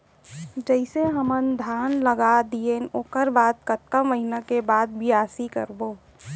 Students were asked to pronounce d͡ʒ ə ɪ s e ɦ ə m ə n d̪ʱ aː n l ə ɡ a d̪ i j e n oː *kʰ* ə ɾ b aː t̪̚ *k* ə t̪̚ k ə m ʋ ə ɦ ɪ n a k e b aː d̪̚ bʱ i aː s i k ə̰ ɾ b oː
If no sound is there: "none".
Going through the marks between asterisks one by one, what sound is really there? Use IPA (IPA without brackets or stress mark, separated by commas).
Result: k, k